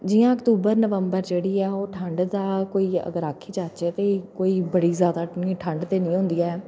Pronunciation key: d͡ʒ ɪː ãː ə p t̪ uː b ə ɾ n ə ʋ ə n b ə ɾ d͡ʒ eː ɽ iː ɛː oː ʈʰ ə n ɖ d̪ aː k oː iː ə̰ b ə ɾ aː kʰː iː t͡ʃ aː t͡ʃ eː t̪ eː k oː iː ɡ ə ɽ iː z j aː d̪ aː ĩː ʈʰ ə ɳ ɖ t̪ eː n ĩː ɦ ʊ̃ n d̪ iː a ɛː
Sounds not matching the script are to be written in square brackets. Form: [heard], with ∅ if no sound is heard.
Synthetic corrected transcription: d͡ʒ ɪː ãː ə [k] t̪ uː b ə ɾ n ə ʋ ə [m] b ə ɾ d͡ʒ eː ɽ iː ɛː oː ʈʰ ə [ɳ] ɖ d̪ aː k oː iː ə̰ [ɡ] ə ɾ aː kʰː iː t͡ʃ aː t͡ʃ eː t̪ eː k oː iː [b] ə ɽ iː z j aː d̪ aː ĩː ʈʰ ə ɳ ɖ t̪ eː n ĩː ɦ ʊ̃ n d̪ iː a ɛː